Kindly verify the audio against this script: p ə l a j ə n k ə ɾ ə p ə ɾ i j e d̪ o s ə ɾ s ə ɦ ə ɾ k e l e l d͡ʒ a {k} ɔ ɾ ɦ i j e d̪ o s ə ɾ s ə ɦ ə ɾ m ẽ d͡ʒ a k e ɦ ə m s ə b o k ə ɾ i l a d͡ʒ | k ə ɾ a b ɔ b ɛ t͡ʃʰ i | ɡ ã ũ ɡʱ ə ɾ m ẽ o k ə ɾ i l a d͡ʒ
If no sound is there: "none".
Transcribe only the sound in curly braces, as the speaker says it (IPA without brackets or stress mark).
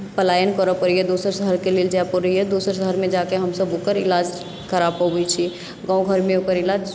p